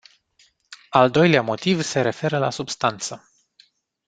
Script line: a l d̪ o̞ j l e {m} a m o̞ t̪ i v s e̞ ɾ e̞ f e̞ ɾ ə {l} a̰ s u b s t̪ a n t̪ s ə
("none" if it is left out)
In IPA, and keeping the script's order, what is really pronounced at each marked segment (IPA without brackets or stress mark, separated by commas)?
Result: none, l